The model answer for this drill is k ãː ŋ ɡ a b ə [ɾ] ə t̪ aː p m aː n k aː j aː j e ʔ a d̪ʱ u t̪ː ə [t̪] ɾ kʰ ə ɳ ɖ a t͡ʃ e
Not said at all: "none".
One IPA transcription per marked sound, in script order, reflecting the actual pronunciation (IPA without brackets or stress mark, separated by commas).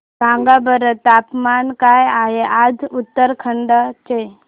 ɾ, none